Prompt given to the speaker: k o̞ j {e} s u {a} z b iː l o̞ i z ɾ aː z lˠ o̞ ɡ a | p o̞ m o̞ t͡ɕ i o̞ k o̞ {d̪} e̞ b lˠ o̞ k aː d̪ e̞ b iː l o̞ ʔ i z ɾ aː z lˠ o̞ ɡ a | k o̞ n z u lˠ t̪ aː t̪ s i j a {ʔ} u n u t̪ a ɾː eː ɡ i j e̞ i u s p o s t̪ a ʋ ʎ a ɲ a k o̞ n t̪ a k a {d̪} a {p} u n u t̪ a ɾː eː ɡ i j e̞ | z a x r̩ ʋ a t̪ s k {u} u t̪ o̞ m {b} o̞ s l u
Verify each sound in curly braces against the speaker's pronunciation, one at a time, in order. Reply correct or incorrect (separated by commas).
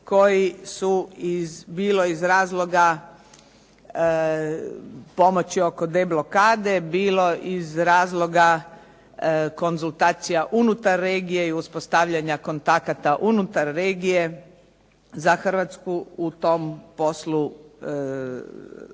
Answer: incorrect, incorrect, correct, correct, incorrect, incorrect, correct, incorrect